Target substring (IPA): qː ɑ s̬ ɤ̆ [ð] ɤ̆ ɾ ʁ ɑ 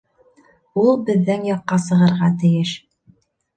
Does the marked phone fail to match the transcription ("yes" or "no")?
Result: yes